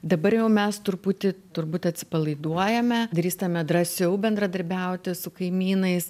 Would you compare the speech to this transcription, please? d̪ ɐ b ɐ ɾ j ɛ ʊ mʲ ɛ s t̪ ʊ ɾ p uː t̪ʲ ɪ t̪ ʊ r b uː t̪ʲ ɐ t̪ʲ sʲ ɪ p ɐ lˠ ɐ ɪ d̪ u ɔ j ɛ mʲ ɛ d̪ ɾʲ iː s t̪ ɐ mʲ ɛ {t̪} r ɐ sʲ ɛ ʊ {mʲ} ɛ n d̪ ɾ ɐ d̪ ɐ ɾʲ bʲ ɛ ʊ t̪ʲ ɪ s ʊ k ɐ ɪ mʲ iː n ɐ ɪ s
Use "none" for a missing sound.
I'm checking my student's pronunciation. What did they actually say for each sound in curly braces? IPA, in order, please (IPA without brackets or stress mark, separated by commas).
d̪, bʲ